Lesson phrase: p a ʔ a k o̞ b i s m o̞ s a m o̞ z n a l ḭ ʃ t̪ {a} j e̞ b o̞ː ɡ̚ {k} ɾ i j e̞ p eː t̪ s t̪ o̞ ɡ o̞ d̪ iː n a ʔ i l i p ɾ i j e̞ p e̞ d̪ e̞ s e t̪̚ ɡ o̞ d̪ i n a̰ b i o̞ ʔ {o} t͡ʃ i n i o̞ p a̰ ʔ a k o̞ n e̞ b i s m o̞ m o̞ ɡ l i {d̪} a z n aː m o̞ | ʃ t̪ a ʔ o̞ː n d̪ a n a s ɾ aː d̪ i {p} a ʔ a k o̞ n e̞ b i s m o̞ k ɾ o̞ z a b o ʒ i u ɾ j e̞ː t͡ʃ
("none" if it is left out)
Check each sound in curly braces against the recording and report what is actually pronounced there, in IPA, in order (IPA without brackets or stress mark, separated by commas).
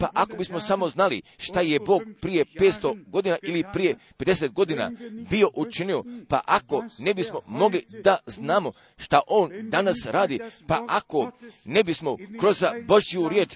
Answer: a, p, u, d̪, p